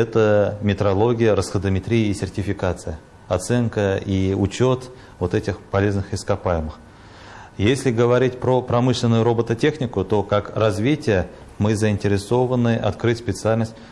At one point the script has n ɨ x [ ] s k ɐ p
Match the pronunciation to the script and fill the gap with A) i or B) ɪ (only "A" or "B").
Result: B